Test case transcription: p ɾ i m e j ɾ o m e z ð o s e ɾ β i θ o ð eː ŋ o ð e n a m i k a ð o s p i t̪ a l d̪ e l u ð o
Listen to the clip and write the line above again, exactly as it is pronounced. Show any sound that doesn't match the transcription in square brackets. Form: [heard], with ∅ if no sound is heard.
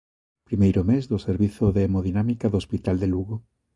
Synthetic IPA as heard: p ɾ i m e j ɾ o m e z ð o s e ɾ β i θ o ð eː [m] o ð [i] n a m i k a ð o s p i t̪ a l d̪ e l u [ɣ] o